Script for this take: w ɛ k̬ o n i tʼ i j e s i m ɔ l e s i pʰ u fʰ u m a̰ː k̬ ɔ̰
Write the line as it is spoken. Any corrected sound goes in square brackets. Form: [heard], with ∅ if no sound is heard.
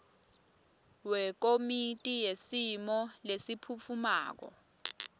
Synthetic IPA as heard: w ɛ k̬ o [m] i tʼ i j e s i m ɔ l e s i pʰ u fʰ u m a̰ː k̬ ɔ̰